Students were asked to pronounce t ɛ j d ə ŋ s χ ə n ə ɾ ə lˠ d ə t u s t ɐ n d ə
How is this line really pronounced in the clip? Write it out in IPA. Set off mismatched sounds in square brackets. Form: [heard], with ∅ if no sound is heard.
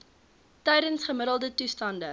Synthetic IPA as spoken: t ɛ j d ə [n] s χ ə [m] ə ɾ ə lˠ d ə t u s t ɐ n d ə